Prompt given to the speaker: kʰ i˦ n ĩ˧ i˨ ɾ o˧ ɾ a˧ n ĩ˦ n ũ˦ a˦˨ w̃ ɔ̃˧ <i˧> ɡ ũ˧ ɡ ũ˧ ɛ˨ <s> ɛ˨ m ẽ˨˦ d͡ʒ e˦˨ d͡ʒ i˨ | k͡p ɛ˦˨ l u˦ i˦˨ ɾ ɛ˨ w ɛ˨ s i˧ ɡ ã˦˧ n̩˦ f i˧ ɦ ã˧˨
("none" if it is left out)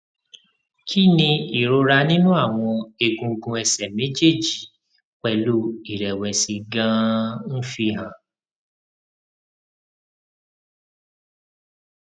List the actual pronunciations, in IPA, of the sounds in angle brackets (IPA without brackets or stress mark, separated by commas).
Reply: e˧, s